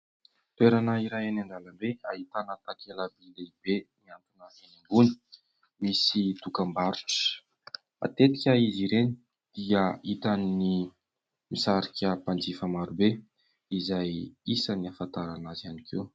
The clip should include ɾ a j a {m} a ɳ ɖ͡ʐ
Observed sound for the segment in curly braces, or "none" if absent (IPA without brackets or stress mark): n